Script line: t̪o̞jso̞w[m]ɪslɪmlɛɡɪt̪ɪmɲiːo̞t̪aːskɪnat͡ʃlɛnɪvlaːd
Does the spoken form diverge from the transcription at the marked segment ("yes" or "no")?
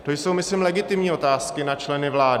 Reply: no